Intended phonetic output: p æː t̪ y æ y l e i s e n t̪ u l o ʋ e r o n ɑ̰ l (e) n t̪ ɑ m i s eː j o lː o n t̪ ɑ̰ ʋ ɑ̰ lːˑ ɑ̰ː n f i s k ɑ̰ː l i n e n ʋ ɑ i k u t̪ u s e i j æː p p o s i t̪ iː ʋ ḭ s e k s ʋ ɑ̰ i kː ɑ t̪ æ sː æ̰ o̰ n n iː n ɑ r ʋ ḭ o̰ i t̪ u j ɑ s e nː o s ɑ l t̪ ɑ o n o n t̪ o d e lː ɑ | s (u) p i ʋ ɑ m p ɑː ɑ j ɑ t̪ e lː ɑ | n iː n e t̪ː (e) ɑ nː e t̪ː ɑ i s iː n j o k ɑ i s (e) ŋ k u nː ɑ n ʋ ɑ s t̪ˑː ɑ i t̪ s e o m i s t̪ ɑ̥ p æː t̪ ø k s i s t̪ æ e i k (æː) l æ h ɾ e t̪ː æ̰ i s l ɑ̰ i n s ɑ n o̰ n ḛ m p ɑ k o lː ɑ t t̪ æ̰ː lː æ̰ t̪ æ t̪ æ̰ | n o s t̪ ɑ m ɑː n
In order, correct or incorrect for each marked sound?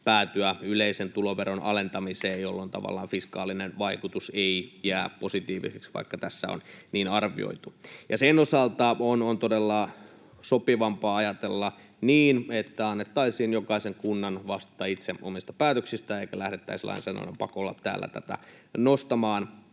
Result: correct, incorrect: o, incorrect: æ, correct, incorrect: æ

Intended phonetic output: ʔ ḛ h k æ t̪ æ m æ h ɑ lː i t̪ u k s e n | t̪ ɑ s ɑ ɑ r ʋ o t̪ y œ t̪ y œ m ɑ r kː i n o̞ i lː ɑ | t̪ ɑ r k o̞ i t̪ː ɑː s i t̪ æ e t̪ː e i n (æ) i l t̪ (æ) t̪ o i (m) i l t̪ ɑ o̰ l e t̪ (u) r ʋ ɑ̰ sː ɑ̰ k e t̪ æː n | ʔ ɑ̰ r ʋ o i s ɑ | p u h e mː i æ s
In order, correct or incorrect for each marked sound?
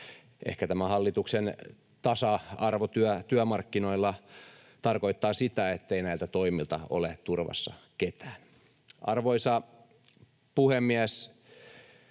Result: correct, correct, correct, correct

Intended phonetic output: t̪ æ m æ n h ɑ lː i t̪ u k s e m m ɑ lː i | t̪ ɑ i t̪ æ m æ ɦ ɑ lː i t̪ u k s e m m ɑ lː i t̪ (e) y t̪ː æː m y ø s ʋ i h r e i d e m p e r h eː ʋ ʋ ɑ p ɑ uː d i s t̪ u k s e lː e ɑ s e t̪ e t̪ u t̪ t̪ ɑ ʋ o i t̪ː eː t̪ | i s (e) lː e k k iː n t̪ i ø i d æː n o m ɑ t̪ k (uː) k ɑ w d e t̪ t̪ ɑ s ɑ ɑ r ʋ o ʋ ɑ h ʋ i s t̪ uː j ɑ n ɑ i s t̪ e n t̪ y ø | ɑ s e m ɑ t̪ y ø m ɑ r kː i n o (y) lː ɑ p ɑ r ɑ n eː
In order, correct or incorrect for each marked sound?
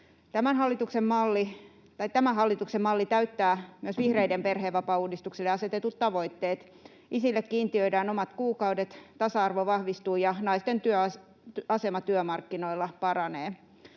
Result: incorrect: æ, incorrect: i, correct, incorrect: i

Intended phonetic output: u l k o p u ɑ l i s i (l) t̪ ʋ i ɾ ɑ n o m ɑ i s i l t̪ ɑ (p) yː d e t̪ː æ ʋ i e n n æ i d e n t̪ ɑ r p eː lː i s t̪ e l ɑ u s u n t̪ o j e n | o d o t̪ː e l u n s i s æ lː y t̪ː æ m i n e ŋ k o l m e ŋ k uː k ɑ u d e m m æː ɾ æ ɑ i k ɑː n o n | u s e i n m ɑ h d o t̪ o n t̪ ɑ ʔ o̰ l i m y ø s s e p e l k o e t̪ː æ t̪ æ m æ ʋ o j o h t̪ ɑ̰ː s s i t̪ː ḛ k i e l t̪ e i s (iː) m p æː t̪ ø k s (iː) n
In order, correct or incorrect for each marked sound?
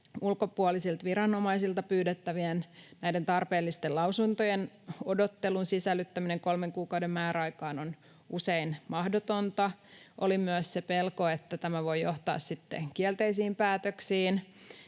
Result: correct, correct, correct, correct

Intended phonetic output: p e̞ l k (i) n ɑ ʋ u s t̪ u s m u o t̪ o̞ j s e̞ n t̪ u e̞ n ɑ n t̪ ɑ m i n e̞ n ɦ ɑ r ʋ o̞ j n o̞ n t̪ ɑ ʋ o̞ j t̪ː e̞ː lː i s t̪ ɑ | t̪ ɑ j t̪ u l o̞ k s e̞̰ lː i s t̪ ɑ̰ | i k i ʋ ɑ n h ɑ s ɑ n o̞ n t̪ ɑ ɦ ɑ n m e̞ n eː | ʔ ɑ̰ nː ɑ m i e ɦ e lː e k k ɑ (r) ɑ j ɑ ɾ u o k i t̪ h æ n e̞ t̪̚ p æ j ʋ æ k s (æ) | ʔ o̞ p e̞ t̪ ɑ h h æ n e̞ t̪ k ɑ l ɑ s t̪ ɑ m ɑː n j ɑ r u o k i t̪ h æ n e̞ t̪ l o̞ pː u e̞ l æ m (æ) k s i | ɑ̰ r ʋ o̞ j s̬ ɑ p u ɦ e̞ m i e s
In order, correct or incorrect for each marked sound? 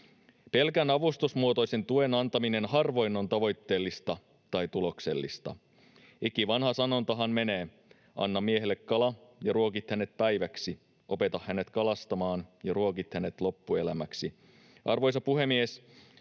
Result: incorrect: æ, incorrect: l, incorrect: i, correct

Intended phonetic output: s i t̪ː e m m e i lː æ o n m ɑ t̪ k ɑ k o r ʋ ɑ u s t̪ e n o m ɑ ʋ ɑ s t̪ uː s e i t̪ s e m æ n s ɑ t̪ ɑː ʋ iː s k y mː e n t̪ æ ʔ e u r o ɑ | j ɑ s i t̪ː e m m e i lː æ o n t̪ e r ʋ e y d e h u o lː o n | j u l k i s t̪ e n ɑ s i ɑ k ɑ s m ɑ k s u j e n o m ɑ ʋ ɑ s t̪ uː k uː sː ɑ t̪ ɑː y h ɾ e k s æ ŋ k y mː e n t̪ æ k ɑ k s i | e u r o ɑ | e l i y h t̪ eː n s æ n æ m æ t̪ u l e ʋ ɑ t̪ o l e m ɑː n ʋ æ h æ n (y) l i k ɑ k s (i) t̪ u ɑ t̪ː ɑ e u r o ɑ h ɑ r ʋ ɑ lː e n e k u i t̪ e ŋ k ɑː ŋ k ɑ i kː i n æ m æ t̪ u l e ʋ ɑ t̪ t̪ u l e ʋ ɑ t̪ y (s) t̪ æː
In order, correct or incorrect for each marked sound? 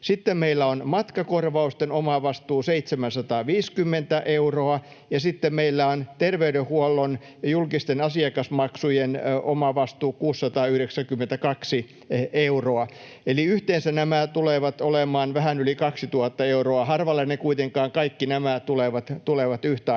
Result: correct, correct, incorrect: h

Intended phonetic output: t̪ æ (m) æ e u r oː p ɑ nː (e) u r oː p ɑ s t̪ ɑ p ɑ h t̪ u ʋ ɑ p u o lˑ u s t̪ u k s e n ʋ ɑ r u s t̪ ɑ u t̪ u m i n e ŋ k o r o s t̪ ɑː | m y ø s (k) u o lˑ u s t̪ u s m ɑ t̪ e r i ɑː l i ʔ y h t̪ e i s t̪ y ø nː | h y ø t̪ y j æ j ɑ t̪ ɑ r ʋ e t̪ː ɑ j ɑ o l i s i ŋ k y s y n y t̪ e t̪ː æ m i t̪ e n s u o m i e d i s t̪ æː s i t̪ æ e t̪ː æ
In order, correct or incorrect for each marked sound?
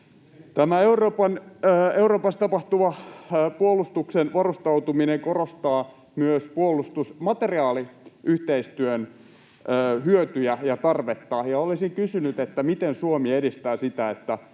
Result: correct, correct, incorrect: p

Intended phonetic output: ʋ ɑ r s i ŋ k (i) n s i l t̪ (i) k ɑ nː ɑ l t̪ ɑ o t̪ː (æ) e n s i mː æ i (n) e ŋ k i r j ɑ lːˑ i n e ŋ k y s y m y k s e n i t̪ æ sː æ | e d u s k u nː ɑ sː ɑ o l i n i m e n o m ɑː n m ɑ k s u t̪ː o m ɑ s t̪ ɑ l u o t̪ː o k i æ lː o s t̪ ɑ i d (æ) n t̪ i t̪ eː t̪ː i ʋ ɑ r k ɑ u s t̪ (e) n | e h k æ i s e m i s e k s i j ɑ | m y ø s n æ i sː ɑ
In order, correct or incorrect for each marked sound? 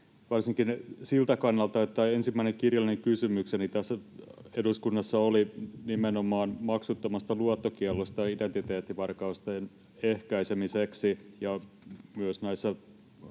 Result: correct, incorrect: æ, correct, correct, incorrect: e, correct

